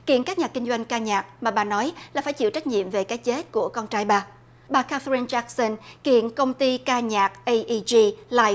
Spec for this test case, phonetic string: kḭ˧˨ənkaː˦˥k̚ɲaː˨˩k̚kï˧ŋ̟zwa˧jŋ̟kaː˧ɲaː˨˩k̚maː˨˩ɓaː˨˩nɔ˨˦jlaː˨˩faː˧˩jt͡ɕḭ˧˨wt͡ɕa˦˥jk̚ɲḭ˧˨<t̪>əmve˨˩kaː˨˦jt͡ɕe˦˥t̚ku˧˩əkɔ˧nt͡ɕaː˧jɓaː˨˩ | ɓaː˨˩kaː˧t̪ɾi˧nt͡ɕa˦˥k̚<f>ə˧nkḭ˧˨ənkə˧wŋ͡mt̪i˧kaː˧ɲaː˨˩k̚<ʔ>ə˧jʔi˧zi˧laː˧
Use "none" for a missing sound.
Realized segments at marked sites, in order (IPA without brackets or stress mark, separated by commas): none, s, ʔ